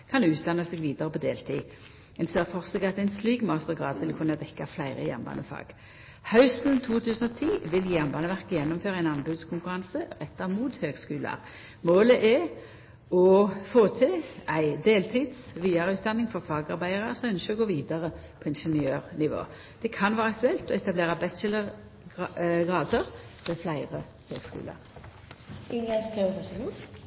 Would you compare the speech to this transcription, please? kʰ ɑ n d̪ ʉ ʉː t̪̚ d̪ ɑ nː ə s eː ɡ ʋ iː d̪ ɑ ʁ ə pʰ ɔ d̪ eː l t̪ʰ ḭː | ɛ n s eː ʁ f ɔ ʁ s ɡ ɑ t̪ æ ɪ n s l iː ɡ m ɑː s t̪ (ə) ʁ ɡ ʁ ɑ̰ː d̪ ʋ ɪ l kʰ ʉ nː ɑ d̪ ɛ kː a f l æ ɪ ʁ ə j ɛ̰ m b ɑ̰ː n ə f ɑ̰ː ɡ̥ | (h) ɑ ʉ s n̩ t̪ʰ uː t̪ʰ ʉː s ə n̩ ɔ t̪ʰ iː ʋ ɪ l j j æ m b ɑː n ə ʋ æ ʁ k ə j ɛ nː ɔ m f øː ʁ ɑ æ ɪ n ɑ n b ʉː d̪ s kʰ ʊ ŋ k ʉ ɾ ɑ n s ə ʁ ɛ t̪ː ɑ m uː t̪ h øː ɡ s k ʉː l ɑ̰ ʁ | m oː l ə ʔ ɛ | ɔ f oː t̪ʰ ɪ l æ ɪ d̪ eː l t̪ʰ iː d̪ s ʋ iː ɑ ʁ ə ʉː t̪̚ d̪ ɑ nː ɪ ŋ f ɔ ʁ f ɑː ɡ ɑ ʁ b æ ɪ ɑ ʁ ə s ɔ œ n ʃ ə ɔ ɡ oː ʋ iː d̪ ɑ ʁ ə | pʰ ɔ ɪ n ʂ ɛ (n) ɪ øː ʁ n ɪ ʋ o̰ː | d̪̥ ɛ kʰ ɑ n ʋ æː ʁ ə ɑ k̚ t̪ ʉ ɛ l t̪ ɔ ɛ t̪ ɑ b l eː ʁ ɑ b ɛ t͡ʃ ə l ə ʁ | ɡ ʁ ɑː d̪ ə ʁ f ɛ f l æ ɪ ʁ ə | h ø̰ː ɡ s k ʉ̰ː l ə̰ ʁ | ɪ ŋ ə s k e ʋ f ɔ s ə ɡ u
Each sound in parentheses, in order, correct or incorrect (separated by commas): correct, correct, correct